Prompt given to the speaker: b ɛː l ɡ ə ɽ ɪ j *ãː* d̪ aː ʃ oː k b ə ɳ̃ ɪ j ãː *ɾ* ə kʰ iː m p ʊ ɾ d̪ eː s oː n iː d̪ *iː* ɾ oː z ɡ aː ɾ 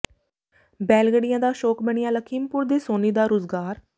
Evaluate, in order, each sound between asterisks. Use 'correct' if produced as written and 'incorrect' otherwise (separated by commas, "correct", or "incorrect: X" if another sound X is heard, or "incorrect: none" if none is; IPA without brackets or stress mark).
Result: correct, incorrect: l, incorrect: aː